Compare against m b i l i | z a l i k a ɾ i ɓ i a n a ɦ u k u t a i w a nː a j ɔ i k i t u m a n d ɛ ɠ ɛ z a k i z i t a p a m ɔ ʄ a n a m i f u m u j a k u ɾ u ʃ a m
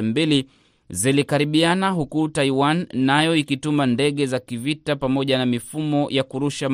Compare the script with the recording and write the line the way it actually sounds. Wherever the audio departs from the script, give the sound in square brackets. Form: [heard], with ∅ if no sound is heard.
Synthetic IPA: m b i l i | z [i] l i k a ɾ i ɓ i a n a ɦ u k u t a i w a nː a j ɔ i k i t u m a n d ɛ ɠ ɛ z a k i [v] i t a p a m ɔ ʄ a n a m i f u m [ɔ] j a k u ɾ u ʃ a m